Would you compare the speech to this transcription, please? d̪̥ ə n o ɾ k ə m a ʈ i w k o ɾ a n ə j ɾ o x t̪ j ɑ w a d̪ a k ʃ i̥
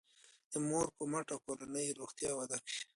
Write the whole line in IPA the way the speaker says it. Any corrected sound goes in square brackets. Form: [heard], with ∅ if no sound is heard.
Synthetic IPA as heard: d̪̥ ə [m] o ɾ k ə m a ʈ [a] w k o ɾ a n ə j ɾ o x t̪ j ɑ w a d̪ a k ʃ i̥